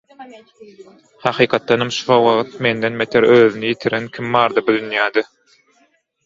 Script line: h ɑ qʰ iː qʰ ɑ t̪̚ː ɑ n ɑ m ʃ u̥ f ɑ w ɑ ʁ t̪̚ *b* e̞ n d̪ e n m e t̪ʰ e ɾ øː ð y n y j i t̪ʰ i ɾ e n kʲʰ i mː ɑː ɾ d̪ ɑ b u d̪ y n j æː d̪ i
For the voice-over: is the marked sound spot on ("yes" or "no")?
no